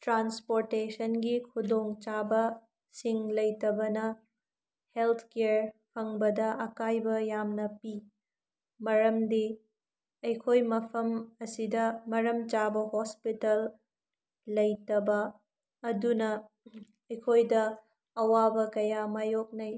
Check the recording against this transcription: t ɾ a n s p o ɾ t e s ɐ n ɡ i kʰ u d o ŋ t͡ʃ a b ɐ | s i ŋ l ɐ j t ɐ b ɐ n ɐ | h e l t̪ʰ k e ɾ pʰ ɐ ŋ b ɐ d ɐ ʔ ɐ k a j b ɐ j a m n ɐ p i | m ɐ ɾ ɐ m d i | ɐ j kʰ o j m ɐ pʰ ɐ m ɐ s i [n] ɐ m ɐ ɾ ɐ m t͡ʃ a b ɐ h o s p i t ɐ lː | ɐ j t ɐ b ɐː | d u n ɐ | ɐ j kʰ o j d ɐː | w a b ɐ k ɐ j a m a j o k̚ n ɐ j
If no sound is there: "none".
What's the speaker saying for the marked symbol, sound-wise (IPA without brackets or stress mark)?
d